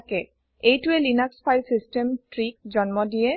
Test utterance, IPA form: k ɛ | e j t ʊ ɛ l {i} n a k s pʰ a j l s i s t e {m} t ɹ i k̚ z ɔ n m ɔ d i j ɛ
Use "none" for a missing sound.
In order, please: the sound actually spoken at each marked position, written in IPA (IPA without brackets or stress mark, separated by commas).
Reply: i, m